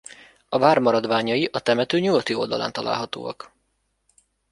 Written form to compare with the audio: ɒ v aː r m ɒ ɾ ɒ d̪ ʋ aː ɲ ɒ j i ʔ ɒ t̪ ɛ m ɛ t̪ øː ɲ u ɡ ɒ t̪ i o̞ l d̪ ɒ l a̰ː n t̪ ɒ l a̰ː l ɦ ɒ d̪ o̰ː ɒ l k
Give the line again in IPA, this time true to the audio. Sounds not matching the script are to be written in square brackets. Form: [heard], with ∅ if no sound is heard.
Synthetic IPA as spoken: ɒ v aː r m ɒ ɾ ɒ d̪ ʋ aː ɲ ɒ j i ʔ ɒ t̪ ɛ m ɛ t̪ øː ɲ u ɡ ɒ t̪ i o̞ l d̪ ɒ l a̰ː n t̪ ɒ l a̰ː l ɦ ɒ [t̪] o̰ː ɒ [∅] k